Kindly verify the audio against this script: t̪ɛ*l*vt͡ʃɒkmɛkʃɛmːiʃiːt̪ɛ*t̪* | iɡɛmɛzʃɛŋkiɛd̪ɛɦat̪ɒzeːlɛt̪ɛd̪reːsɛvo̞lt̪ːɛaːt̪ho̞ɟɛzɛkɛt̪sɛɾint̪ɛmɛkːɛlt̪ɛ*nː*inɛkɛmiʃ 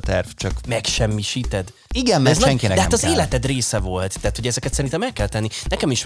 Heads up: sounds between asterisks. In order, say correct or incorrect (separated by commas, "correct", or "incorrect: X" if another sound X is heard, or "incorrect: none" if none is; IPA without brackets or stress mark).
incorrect: r, incorrect: d̪, correct